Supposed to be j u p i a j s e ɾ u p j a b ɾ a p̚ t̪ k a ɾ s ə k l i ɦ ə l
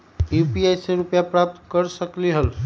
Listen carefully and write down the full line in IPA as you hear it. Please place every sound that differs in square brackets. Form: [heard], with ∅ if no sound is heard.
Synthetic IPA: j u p i a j s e ɾ u p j a [p] ɾ a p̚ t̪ k [ə] ɾ s ə k l i ɦ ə l